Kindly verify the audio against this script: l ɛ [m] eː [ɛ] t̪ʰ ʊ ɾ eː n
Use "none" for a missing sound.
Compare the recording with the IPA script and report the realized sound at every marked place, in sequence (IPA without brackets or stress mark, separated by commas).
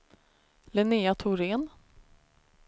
n, a